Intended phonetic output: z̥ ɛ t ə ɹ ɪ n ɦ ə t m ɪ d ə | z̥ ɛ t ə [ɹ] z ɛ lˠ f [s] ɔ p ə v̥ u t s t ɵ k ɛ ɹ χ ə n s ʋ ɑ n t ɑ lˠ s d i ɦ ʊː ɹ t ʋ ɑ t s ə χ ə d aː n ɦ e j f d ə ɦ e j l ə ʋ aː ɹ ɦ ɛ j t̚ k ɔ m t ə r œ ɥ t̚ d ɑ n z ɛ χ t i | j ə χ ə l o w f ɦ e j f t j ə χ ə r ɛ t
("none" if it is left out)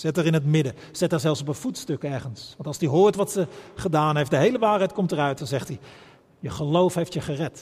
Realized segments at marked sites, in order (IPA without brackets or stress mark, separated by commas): ɹ, s